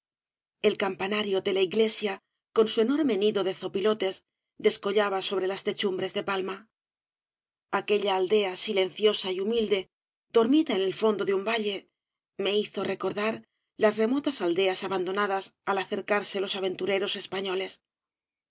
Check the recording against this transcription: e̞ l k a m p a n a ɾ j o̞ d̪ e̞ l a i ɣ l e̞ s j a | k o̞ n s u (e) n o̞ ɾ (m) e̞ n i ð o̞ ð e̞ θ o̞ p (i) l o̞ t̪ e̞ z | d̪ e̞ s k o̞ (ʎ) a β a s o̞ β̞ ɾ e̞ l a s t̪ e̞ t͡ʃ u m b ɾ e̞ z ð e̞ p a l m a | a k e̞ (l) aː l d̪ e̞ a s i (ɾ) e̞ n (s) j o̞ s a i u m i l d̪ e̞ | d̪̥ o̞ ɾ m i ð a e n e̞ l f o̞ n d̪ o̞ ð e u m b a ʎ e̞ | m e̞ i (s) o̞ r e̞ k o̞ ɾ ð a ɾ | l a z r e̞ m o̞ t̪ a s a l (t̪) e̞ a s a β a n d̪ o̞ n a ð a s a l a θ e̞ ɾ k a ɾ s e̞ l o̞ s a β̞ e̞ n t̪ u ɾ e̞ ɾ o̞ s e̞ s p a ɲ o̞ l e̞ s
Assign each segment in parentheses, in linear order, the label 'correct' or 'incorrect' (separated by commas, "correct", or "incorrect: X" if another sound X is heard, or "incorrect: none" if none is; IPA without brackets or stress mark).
correct, correct, correct, correct, incorrect: ʎ, incorrect: l, incorrect: θ, incorrect: θ, incorrect: d̪